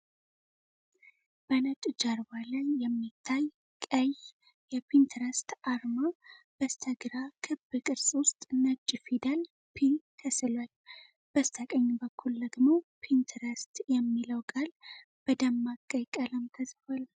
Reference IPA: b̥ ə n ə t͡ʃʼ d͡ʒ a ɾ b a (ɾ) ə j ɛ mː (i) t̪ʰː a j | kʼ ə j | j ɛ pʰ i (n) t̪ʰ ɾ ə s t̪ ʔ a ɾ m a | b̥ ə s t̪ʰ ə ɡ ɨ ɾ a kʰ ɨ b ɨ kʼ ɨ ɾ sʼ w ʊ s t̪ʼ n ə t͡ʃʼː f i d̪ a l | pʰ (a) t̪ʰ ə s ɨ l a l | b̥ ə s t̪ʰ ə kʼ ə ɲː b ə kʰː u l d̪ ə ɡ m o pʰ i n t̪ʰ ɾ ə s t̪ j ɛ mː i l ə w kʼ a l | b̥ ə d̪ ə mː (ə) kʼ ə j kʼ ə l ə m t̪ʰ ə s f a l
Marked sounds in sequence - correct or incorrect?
incorrect: l, correct, correct, incorrect: i, incorrect: a

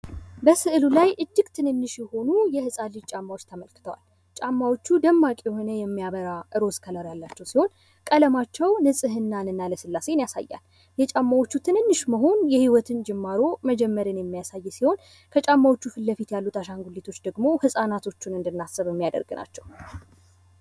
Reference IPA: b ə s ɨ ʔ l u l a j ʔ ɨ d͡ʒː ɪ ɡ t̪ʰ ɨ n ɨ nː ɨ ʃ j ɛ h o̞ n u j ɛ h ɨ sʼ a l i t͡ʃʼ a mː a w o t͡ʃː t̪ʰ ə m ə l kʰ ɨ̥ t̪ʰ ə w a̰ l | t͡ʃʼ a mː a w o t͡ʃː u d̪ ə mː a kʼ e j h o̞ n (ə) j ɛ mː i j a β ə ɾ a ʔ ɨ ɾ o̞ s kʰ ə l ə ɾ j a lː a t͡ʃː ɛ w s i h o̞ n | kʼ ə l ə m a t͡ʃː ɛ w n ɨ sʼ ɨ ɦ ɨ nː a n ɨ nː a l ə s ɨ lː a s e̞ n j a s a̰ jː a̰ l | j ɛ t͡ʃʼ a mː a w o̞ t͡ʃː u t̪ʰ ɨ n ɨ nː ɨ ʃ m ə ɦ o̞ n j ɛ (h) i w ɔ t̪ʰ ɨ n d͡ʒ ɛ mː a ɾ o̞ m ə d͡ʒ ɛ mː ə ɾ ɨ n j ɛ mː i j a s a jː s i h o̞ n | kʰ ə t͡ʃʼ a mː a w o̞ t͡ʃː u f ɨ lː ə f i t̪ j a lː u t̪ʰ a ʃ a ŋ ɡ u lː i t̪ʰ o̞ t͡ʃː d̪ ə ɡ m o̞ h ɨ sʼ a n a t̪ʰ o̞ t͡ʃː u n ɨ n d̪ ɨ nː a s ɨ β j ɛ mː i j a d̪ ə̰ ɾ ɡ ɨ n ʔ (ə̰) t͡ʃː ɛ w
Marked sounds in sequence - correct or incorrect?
correct, correct, incorrect: a̰

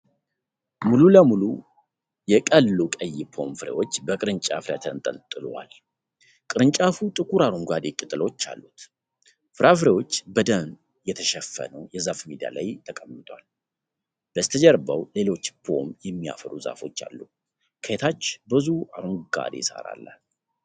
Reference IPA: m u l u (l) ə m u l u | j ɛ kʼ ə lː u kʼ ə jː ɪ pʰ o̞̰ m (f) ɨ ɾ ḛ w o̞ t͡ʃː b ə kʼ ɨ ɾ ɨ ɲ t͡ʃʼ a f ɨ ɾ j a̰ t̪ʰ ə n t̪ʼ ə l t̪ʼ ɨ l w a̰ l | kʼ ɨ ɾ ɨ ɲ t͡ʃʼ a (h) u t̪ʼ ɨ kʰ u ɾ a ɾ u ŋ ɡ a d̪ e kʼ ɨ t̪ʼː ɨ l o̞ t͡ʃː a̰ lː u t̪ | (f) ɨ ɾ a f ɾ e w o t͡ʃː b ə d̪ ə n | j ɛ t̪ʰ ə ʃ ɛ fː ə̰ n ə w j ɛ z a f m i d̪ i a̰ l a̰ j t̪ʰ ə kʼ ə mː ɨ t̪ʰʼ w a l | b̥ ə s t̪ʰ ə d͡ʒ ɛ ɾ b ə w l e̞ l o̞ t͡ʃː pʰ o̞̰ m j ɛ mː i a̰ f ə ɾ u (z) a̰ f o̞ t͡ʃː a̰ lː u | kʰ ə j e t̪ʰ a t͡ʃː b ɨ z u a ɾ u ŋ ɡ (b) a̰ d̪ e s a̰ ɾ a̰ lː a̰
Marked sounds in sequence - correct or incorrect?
correct, correct, incorrect: f, correct, correct, incorrect: ɡ

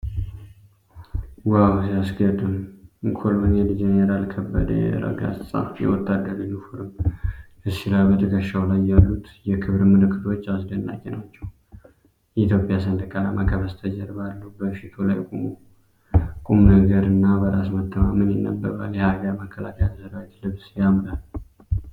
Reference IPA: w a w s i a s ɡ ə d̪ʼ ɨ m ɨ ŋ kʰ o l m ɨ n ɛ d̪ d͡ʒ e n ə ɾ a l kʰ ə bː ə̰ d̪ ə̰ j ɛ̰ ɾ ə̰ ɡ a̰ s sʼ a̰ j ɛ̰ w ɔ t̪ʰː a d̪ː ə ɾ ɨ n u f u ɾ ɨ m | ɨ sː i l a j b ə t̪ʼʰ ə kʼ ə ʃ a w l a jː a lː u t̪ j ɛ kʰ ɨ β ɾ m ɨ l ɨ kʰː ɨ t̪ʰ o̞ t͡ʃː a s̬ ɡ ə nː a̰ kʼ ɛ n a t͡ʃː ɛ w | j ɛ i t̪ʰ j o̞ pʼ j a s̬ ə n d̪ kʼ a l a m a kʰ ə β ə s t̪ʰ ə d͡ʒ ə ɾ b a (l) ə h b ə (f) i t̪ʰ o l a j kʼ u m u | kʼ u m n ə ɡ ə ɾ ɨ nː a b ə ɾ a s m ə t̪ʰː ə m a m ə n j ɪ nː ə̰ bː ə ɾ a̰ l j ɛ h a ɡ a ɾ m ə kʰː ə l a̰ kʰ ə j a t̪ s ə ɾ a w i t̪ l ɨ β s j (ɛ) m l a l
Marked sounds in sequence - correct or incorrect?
incorrect: lː, incorrect: ʃ, incorrect: a

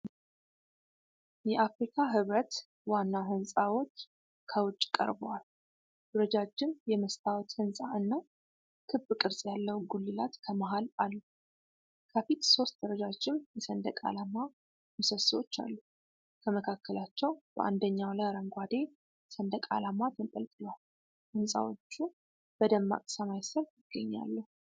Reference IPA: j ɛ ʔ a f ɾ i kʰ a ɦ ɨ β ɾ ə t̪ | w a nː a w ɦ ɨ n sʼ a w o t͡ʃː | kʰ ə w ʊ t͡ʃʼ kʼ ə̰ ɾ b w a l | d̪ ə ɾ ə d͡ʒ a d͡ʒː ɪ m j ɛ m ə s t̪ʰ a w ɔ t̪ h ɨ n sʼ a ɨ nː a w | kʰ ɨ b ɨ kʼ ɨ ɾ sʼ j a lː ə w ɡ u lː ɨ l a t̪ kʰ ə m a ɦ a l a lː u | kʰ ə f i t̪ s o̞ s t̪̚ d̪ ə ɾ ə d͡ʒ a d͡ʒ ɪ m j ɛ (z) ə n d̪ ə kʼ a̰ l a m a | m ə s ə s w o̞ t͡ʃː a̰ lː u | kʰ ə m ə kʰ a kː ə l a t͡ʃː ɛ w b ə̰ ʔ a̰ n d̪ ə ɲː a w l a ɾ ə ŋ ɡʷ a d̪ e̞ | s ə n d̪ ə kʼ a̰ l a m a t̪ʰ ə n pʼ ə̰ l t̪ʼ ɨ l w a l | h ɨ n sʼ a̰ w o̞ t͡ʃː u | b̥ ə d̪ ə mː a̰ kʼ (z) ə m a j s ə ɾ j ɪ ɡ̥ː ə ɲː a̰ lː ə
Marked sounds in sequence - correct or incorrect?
incorrect: s, incorrect: s

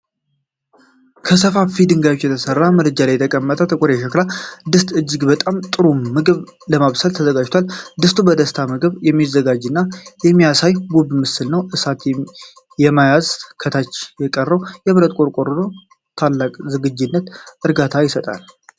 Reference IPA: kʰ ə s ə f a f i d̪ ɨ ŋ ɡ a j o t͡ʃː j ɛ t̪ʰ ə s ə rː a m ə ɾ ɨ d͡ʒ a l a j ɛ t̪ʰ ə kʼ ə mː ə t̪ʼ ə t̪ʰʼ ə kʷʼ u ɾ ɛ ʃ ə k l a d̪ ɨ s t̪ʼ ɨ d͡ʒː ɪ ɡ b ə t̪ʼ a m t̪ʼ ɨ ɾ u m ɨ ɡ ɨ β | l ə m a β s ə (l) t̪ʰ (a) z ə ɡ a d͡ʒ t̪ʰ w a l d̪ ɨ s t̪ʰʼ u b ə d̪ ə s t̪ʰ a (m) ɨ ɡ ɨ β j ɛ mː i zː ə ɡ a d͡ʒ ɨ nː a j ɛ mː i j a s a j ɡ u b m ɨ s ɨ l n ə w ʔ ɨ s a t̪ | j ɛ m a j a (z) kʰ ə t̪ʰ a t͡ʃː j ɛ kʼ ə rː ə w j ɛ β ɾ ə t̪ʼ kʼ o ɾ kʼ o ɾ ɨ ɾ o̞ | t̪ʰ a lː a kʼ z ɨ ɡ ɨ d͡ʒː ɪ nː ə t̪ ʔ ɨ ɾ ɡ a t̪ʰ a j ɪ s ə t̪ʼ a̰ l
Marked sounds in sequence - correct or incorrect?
correct, incorrect: ə, correct, correct

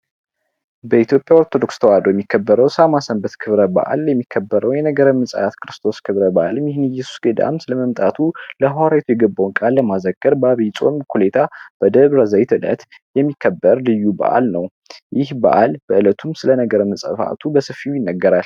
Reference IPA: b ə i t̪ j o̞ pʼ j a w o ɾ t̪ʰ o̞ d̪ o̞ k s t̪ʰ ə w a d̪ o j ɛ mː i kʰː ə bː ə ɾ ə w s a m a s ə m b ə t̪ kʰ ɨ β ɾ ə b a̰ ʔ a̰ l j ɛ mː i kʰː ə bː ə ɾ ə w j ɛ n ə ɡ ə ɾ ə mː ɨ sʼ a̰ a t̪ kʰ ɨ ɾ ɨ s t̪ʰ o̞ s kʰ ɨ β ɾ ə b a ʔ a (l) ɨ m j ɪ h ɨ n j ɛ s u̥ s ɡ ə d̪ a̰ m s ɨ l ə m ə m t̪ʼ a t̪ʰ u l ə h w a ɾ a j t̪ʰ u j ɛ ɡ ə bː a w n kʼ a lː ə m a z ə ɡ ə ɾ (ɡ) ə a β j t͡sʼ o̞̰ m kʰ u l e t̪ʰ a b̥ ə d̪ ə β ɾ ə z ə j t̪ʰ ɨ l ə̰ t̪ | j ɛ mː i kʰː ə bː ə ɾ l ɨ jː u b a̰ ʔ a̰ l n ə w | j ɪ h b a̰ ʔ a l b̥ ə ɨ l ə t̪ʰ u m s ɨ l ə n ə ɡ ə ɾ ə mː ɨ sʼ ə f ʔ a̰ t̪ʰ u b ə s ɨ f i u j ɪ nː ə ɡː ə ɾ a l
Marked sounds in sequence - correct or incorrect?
correct, incorrect: b

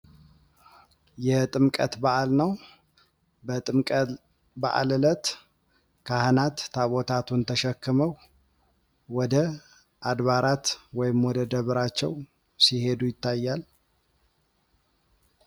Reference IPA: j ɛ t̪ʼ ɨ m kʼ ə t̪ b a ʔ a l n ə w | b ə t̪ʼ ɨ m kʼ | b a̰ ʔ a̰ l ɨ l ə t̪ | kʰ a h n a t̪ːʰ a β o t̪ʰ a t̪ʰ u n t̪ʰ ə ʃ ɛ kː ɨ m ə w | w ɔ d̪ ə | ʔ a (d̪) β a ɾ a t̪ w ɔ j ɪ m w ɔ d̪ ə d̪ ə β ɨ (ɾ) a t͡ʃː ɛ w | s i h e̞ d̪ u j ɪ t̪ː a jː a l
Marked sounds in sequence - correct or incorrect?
correct, correct

